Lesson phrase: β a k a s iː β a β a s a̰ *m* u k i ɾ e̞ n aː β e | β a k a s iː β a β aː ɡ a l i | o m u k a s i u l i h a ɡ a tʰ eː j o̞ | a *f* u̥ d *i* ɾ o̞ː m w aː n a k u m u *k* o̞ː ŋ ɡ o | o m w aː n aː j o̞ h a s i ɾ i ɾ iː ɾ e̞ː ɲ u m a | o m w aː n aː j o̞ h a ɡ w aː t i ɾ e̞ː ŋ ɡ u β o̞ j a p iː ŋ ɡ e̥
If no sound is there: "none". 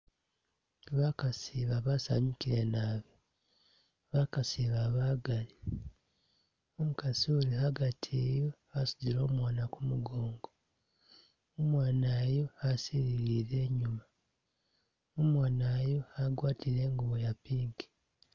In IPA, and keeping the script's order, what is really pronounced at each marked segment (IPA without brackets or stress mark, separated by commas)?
ɲ, s, i, ɡ